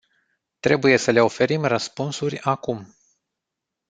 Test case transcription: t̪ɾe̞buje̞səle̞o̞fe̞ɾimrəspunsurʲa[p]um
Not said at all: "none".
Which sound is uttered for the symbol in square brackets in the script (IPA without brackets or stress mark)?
k